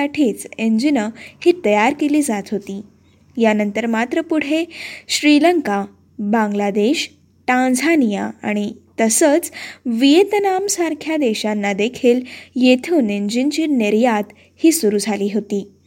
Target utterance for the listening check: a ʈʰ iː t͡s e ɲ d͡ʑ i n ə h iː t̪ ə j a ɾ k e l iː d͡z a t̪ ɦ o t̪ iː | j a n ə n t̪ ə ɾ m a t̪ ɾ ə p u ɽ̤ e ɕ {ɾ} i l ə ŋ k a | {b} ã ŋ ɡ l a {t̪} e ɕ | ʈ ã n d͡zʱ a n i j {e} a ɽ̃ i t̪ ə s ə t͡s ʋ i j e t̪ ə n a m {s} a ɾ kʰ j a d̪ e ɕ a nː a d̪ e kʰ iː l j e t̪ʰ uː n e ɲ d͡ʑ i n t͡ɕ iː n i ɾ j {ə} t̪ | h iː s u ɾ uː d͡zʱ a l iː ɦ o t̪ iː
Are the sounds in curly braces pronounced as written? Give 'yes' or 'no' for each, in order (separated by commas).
yes, yes, no, no, yes, no